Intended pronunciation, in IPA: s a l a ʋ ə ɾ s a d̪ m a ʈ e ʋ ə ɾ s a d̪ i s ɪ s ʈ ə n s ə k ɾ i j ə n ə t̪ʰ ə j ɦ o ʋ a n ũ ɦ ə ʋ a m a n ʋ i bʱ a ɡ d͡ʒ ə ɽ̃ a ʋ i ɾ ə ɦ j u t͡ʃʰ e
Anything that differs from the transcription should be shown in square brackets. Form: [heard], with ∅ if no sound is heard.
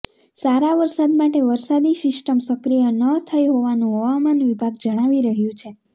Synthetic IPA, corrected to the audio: s a [ɾ] a ʋ ə ɾ s a d̪ m a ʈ e ʋ ə ɾ s a d̪ i s ɪ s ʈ ə [m] s ə k ɾ i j ə n ə t̪ʰ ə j ɦ o ʋ a n ũ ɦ ə ʋ a m a n ʋ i bʱ a ɡ d͡ʒ ə ɽ̃ a ʋ i ɾ ə ɦ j [ũ] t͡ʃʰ e